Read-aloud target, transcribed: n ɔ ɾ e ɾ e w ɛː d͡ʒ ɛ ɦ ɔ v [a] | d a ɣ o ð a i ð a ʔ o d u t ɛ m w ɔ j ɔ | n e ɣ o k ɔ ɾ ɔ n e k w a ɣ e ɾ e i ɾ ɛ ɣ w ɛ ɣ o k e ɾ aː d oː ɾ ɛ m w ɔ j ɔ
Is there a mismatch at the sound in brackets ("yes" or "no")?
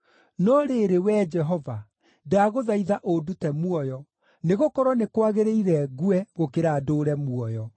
no